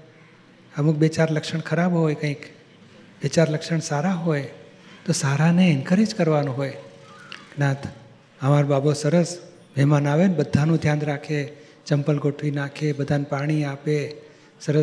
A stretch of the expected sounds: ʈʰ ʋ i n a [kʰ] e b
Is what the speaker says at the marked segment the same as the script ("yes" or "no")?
yes